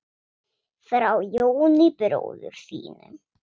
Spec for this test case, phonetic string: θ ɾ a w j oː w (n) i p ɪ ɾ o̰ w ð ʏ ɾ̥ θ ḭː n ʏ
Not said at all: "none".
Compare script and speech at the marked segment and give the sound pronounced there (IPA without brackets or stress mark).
n